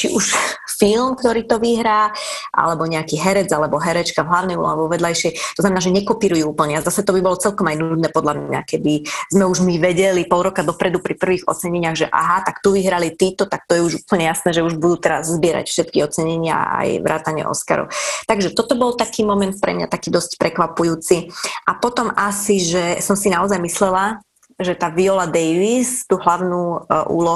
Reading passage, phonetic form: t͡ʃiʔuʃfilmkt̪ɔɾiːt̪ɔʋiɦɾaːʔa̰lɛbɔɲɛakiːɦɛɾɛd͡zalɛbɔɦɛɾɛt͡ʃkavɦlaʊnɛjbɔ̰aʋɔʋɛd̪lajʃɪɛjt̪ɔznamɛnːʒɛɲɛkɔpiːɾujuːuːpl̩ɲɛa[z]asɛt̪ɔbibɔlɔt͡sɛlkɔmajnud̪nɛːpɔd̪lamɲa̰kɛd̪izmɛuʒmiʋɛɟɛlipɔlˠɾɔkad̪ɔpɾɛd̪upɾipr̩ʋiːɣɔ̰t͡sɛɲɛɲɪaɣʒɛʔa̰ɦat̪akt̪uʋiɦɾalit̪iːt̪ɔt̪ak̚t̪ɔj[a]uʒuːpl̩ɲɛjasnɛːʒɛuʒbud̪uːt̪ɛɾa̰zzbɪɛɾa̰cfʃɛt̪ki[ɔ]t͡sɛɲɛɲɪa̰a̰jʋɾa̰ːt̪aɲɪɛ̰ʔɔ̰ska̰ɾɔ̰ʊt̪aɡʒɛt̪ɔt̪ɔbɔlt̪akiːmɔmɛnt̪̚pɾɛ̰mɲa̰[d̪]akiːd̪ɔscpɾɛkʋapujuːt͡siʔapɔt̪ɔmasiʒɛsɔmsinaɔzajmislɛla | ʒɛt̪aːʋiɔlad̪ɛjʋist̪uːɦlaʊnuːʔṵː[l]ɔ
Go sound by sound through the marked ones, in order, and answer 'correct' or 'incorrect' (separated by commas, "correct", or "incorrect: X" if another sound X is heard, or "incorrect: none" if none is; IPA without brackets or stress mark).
correct, incorrect: ɛ, correct, incorrect: t̪, correct